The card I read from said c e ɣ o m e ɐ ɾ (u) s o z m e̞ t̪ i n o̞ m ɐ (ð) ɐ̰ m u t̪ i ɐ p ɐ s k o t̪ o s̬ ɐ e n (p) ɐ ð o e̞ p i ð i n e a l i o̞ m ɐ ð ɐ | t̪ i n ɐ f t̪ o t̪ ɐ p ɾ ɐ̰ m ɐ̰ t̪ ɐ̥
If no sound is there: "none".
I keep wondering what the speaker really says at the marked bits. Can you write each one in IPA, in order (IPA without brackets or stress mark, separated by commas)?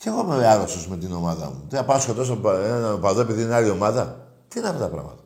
o, ð, p